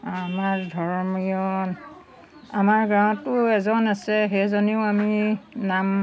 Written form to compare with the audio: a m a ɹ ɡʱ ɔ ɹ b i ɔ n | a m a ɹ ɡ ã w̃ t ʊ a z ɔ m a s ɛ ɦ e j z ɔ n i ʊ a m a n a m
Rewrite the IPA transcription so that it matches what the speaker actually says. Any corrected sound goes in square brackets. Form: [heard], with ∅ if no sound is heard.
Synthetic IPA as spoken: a m a ɹ [dʱ] ɔ ɹ [m] i ɔ n | a m a ɹ ɡ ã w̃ t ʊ [ɛ] z ɔ [n] a s ɛ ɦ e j z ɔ n i ʊ a m [i] n a m